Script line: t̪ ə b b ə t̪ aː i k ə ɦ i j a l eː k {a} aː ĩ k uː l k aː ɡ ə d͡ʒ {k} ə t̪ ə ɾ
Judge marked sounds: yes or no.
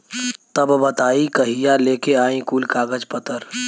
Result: no, no

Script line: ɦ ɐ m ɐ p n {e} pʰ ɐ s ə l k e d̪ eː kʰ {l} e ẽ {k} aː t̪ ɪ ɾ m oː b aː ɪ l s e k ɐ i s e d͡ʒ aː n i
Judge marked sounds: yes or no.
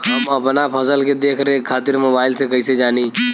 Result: no, no, no

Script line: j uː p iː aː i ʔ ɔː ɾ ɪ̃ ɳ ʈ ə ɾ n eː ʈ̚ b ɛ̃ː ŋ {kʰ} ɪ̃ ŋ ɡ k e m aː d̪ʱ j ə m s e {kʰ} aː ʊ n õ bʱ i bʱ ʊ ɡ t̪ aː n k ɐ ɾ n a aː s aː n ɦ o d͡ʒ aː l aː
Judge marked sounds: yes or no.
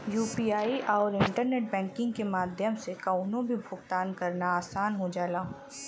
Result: no, no

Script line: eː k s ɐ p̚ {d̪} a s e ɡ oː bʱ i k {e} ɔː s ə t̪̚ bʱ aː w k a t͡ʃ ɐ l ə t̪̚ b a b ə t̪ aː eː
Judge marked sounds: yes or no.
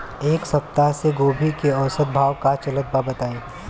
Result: no, yes

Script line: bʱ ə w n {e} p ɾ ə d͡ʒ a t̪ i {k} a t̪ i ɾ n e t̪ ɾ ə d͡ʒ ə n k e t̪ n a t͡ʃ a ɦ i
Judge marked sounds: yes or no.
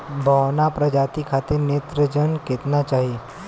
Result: no, no

